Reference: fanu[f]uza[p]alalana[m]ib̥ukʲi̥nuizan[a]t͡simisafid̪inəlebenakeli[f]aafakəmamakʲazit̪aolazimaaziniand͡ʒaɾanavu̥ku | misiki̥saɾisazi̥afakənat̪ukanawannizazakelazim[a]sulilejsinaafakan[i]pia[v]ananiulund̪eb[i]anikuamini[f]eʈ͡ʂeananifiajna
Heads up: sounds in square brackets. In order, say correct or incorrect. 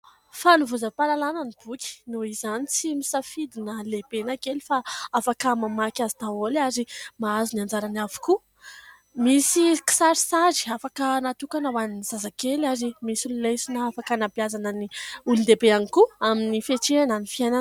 incorrect, correct, incorrect, incorrect, correct, incorrect, incorrect, incorrect, incorrect, correct

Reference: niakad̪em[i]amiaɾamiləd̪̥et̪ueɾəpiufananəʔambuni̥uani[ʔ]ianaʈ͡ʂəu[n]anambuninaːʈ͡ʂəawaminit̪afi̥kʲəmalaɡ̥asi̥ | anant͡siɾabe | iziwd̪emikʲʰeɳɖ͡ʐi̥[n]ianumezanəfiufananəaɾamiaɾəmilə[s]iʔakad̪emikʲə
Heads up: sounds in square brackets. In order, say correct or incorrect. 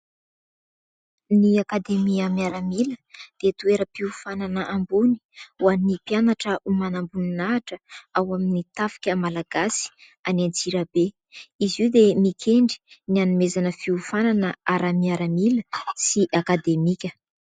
correct, incorrect, incorrect, correct, correct

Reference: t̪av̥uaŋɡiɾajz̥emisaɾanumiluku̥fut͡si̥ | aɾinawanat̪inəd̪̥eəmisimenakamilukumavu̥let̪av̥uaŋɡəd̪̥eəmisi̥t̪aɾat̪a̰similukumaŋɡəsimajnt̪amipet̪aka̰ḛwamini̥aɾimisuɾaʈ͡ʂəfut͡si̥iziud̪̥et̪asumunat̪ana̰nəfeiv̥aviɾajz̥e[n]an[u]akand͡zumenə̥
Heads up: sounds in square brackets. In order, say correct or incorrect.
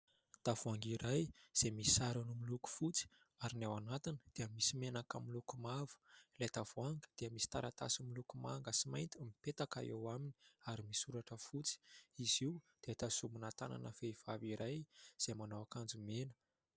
incorrect, incorrect

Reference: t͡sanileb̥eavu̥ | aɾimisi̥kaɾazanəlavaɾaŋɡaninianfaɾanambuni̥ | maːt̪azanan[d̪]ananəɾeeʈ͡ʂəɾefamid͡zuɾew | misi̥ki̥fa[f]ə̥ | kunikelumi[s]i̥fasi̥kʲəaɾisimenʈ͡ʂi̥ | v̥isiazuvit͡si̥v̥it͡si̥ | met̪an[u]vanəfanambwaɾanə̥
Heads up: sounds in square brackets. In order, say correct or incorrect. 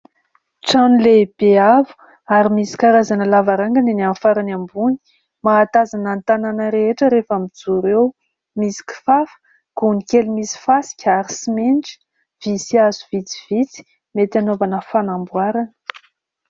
incorrect, correct, correct, incorrect

